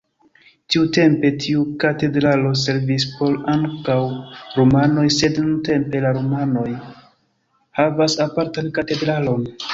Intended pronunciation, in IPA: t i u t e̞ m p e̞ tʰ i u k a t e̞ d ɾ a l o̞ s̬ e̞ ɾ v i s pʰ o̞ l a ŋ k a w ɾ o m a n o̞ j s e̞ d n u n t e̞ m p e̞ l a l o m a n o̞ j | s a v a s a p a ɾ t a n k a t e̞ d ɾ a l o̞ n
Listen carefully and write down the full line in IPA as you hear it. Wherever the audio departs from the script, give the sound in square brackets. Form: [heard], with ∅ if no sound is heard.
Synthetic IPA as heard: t i u t e̞ m p e̞ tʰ i u k a t e̞ d ɾ a l o̞ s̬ e̞ ɾ v i s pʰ o̞ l a ŋ k a w ɾ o m a n o̞ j s e̞ d n u n t e̞ m p e̞ l a [ɾ] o m a n o̞ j | [h] a v a s a p a ɾ t a n k a t e̞ d ɾ a l o̞ n